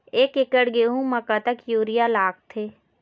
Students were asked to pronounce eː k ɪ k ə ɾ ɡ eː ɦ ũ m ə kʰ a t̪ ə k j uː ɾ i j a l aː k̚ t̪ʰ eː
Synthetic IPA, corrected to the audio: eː k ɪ k ə ɽ ɡ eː ɦ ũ m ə k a t̪ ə k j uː ɾ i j a l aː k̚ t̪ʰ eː